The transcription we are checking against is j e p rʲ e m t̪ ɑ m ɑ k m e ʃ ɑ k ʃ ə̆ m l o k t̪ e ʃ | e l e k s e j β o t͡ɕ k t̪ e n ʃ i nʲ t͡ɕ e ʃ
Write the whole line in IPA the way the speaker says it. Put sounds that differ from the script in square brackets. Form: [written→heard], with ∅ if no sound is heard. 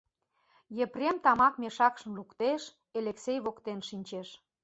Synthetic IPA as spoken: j e p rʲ e m t̪ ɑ m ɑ k m e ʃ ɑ k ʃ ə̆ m l [o→u] k t̪ e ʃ | e l e k s e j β o [t͡ɕ→∅] k t̪ e n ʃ i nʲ t͡ɕ e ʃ